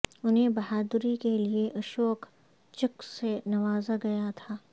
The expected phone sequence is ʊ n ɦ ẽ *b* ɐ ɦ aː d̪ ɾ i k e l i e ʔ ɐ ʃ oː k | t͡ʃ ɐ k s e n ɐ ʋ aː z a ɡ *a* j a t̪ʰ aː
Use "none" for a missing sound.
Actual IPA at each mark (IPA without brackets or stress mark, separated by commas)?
b, ɐ